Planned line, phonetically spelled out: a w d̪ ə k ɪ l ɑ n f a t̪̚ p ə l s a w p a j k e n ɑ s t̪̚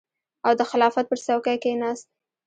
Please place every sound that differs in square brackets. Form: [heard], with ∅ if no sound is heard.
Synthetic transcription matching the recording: a w d̪ ə [x] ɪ l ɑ [∅] f a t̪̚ p ə [ɾ] s a w [k] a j k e n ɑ s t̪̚